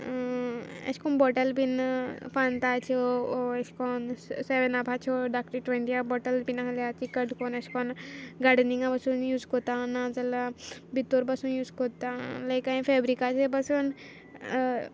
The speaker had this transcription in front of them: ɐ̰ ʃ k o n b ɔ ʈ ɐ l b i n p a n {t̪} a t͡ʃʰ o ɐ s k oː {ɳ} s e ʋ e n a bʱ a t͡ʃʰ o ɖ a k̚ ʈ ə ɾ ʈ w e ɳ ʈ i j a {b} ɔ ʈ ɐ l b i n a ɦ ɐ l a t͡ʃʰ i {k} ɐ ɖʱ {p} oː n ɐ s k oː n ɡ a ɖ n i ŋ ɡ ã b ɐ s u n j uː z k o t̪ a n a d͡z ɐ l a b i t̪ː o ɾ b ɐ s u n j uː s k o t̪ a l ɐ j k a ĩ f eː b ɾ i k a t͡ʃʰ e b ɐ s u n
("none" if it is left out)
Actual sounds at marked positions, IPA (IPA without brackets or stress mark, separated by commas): t̪, n, b, k, k